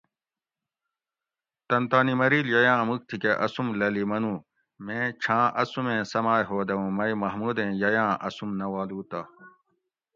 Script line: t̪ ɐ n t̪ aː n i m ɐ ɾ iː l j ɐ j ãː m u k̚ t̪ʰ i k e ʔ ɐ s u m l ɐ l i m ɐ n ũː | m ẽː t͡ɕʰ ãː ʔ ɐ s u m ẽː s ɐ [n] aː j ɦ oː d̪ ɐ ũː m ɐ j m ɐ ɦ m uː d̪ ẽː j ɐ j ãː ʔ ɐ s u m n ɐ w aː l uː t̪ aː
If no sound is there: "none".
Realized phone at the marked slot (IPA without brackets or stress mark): m